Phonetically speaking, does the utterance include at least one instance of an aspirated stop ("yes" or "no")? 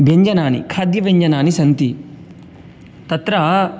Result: yes